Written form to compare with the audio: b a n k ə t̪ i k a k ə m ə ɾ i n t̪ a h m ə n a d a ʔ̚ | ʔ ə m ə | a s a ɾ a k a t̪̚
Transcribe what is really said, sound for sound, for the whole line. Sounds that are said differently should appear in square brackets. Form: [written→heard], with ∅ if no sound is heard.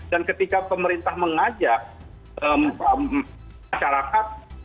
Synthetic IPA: [b→d] a n k ə t̪ i k a [k→p] ə m ə ɾ i n t̪ a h m ə [n→ŋ] a [d→d͡ʒ] a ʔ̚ | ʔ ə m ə | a [s→ʃ] a ɾ a k a t̪̚